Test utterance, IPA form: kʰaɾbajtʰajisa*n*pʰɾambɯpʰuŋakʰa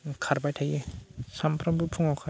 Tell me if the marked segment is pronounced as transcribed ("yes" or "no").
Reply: no